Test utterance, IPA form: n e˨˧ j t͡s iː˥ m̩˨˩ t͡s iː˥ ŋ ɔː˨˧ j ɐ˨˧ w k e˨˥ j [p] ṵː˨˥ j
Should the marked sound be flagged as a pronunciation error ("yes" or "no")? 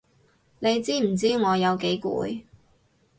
yes